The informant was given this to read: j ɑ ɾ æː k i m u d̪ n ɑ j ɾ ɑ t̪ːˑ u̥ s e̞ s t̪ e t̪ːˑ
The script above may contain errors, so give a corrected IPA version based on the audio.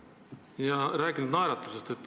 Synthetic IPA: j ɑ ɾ æː k i n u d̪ n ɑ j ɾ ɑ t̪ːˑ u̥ s e̞ s t̪ e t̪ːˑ